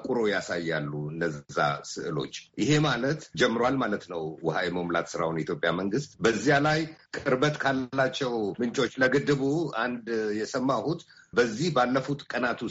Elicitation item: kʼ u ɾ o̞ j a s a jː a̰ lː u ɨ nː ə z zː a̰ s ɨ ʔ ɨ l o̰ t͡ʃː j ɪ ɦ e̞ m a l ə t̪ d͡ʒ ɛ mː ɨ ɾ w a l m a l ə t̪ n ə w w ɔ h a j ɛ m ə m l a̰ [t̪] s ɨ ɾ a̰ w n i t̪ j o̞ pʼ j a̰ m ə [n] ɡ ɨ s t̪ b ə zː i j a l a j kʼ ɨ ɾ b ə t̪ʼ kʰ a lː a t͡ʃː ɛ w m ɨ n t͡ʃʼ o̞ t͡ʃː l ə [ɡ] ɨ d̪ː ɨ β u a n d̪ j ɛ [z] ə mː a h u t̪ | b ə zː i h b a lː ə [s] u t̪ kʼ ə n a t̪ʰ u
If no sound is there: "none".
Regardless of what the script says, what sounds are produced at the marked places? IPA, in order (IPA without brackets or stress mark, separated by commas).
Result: t̪, ŋ, ɡ, s, f